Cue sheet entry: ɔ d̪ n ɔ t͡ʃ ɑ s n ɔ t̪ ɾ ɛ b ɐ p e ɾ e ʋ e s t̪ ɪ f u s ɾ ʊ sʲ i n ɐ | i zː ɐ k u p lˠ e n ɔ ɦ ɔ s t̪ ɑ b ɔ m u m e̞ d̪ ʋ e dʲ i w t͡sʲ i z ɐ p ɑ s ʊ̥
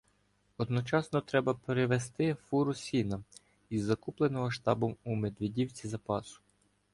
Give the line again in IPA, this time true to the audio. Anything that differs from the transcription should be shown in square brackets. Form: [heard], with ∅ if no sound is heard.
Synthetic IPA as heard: ɔ d̪ n ɔ t͡ʃ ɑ s n ɔ t̪ ɾ ɛ b ɐ p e ɾ e ʋ e s t̪ ɪ f u [∅] ɾ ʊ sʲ i n ɐ | i zː ɐ k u p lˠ e n ɔ ɦ ɔ [ʃ] t̪ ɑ b ɔ m u m e̞ d̪ ʋ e dʲ i w t͡sʲ i z ɐ p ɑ s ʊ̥

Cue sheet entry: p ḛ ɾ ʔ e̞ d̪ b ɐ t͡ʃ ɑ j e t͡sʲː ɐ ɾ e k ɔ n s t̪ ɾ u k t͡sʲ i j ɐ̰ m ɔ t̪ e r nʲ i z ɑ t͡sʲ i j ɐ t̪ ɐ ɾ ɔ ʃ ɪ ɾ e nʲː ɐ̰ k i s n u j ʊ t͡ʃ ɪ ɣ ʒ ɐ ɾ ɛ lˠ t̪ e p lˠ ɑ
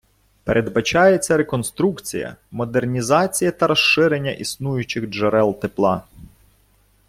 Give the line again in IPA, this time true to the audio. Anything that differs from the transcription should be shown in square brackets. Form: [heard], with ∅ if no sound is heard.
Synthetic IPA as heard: p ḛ ɾ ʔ e̞ d̪ b ɐ t͡ʃ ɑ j e t͡sʲː ɐ ɾ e k ɔ n s t̪ ɾ u k t͡sʲ i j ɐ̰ m ɔ [d̪] e r nʲ i z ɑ t͡sʲ i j ɐ t̪ ɐ ɾ ɔ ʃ ɪ ɾ e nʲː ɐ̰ [ʔ] i s n u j ʊ t͡ʃ ɪ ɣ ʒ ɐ ɾ ɛ lˠ t̪ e p lˠ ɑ

